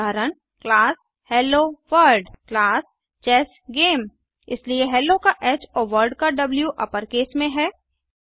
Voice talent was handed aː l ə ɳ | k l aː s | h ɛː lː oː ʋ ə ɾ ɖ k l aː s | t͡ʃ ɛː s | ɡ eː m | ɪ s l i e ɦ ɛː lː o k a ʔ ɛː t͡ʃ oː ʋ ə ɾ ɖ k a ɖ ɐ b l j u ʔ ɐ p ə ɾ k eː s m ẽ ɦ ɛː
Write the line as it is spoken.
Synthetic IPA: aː ɾ ə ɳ | k l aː s | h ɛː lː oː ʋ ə ɾ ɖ k l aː s | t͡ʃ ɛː s | ɡ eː m | ɪ s l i e ɦ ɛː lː o k a ʔ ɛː t͡ʃ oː ʋ ə ɾ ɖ k a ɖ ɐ b l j u ʔ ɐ p ə ɾ k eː s m ẽ ɦ ɛː

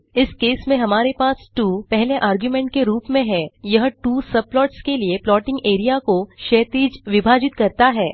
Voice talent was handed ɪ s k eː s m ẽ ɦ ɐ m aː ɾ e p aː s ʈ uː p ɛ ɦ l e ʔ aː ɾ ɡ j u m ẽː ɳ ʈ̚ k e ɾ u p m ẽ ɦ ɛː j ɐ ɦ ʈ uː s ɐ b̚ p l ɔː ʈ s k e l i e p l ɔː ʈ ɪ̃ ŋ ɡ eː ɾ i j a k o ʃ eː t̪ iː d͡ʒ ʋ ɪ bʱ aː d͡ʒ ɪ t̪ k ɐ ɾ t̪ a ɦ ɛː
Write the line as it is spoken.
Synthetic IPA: ɪ s k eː s m ẽ ɦ ɐ m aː ɾ e p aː s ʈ uː p ɛ ɦ l e ʔ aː ɾ ɡ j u m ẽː ɳ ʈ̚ k e ɾ uː p m ẽ ɦ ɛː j ɐ ɦ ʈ uː s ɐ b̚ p l ɔː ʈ s k e l i e p l ɔː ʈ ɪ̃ ŋ ɡ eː ɾ i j a k o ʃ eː t̪ iː d͡ʒ ʋ ɪ bʱ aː d͡ʒ ɪ t̪ k ɐ ɾ t̪ a ɦ ɛː

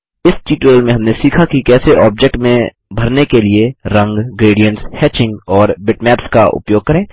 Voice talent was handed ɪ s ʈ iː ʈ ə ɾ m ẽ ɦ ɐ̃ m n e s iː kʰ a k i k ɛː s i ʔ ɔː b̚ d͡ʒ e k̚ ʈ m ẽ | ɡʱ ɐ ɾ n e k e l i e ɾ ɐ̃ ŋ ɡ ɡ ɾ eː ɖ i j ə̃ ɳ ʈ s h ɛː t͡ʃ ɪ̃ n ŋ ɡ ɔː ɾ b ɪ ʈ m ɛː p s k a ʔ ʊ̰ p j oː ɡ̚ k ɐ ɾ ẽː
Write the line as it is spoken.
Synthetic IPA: ɪ s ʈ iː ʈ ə l m ẽ ɦ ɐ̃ m n e s iː kʰ a k i k ɛː s e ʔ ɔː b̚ d͡ʒ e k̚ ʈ m ẽ | bʱ ɐ ɾ n e k e l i e ɾ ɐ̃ ŋ ɡ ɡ ɾ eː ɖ i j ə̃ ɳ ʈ s h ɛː t͡ʃ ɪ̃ ŋ ɡ ɔː ɾ b ɪ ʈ m ɛː p s k a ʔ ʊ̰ p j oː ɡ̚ k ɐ ɾ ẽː

